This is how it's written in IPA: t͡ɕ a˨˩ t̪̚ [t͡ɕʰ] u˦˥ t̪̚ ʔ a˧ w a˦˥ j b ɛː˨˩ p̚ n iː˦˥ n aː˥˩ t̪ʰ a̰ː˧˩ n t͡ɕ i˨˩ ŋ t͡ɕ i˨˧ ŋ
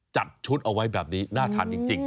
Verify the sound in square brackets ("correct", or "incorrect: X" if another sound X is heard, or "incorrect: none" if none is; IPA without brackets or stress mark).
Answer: correct